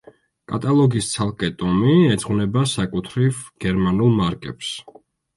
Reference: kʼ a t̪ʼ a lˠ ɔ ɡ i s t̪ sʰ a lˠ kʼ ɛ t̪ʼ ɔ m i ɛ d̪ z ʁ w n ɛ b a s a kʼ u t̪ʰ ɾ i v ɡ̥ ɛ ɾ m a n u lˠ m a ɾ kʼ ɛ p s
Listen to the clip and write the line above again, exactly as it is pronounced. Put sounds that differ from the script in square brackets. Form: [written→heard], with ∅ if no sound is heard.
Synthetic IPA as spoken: kʼ a t̪ʼ a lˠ ɔ ɡ i s t̪ sʰ a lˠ kʼ ɛ t̪ʼ ɔ m i ɛ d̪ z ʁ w n ɛ b a s a kʼ u t̪ʰ ɾ i v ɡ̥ ɛ ɾ m a n u lˠ m a ɾ kʼ ɛ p s